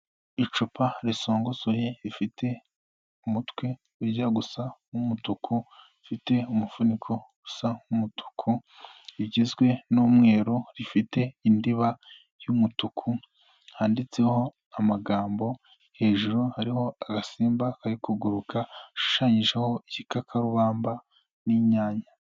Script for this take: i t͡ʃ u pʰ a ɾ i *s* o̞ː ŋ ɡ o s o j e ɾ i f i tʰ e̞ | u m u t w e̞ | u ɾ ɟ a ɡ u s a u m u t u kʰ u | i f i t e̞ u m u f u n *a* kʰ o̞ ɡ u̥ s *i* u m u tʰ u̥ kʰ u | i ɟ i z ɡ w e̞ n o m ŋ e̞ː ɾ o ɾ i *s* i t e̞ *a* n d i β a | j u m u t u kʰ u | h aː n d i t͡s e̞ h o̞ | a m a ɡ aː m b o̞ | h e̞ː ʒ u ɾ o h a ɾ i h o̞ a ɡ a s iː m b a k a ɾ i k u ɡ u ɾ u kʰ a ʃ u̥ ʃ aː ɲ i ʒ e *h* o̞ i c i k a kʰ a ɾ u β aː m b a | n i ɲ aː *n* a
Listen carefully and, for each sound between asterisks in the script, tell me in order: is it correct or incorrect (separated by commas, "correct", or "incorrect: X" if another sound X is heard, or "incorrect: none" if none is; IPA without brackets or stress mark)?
correct, incorrect: i, incorrect: a, incorrect: f, incorrect: i, correct, incorrect: ɲ